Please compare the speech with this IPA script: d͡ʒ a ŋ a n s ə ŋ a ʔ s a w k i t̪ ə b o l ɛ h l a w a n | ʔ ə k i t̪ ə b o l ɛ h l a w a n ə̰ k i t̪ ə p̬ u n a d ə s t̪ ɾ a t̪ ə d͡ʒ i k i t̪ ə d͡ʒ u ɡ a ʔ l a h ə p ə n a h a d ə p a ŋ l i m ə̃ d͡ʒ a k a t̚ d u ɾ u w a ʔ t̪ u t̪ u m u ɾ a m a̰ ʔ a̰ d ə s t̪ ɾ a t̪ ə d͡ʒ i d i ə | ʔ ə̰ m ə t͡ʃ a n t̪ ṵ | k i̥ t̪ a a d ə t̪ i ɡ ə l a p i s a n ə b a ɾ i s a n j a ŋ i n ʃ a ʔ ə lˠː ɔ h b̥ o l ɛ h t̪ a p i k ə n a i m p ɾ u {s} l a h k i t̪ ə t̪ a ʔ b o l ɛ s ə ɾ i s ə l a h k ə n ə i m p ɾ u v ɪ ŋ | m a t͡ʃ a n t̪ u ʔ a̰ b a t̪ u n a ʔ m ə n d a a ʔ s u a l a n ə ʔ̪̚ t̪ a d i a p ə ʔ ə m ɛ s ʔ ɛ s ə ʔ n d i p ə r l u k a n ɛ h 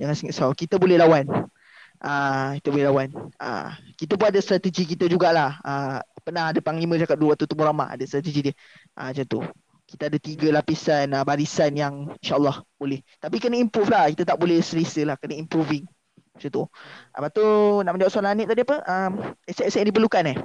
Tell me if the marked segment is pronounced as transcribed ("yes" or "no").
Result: no